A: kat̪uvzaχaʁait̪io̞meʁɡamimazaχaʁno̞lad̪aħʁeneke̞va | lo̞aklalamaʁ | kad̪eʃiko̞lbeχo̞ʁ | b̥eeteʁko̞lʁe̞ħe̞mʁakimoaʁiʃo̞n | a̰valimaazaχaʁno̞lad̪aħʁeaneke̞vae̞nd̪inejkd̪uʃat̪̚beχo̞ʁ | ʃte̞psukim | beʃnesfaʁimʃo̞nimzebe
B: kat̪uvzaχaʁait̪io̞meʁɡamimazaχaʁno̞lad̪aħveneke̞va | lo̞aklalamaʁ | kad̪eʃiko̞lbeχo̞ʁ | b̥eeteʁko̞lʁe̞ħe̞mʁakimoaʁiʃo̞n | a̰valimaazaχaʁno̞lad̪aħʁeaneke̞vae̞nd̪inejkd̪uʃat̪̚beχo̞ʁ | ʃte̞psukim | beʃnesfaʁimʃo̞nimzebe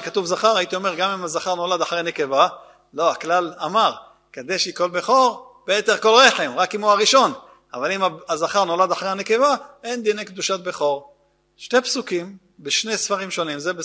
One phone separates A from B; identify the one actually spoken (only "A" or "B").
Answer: A